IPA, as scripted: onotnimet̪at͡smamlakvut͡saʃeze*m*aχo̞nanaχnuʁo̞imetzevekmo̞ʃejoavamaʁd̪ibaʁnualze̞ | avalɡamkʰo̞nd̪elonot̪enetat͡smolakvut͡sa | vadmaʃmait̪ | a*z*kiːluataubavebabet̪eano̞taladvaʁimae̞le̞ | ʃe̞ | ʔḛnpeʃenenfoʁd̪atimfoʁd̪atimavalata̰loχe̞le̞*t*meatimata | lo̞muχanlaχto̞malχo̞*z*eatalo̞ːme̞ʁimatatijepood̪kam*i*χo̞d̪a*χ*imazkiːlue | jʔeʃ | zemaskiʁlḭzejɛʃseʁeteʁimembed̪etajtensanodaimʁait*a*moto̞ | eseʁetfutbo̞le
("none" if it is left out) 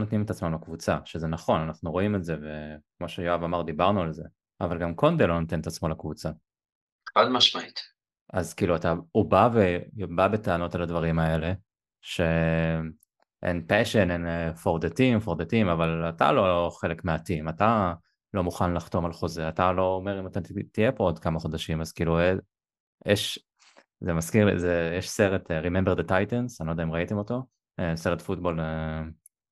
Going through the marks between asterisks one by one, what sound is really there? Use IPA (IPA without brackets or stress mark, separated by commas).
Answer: n, z, k, z, a, ʃ, e